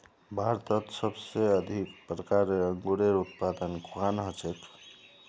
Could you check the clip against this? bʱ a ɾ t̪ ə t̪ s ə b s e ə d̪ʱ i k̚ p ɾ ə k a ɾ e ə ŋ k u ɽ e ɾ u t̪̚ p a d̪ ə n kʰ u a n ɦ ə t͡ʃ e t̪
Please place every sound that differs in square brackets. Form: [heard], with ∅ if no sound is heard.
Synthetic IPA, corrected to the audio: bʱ a ɾ t̪ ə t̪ s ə b s e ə d̪ʱ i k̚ p ɾ ə k a ɾ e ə ŋ [ɡ] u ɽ e ɾ u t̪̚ p a d̪ ə n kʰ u a n ɦ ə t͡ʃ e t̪